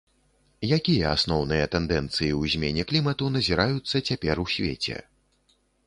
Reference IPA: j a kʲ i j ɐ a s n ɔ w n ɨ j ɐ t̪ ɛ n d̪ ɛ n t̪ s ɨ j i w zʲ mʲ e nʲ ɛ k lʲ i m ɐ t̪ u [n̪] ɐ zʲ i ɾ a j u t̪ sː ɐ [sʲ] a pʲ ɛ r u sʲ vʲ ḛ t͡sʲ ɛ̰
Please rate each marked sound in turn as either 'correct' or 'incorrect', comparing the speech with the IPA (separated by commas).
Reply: correct, incorrect